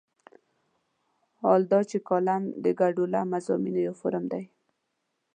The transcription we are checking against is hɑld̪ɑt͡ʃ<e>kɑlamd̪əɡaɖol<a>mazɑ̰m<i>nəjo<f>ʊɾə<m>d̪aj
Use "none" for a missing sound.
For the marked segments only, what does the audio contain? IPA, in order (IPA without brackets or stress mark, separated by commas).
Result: e, a, i, f, m